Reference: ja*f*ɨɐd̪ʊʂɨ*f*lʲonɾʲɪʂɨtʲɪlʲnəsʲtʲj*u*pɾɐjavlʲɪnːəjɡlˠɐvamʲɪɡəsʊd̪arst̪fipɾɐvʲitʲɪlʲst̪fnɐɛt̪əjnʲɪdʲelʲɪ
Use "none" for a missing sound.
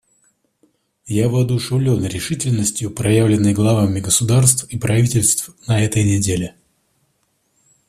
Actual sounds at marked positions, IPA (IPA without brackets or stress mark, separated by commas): v, v, ʊ